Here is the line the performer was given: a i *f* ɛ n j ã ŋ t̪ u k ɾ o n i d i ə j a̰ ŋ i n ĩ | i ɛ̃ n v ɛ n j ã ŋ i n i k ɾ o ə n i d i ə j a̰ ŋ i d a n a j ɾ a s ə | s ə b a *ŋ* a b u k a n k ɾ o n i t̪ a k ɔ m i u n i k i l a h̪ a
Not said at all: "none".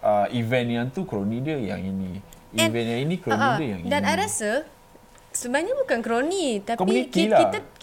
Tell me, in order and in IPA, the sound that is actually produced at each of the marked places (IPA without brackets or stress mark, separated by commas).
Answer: v, ɲ